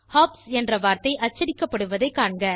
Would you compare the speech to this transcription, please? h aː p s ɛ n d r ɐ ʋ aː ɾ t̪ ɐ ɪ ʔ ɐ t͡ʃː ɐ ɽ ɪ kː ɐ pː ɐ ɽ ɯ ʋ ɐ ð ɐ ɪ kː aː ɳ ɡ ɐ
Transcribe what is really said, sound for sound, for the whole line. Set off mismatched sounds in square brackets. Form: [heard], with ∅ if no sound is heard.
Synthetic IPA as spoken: h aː p s ɛ n d r ɐ ʋ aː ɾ t̪ ɐ ɪ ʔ ɐ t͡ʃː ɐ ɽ ɪ kː ɐ pː ɐ ɽ ɯ ʋ ɐ ð ɐ ɪ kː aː ɳ ɡ ɐ